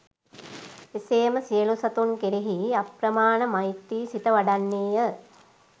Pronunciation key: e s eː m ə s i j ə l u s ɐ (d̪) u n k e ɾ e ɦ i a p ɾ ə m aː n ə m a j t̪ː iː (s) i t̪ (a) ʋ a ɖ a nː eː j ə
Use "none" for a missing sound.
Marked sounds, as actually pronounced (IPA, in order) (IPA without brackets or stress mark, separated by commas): t̪, s, ə